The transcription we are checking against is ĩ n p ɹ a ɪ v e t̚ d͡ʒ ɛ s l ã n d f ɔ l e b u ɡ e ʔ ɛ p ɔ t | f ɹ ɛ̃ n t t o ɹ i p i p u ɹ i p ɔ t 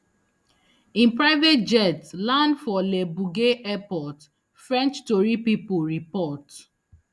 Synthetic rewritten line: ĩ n p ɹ a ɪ v e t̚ d͡ʒ ɛ t l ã n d f ɔ l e b u ɡ e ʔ ɛ p ɔ t | f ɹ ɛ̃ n t͡ʃ t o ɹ i p i p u ɹ i p ɔ t